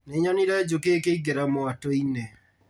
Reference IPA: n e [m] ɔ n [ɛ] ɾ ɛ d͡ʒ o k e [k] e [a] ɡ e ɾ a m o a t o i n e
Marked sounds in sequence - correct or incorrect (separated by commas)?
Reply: incorrect, incorrect, correct, incorrect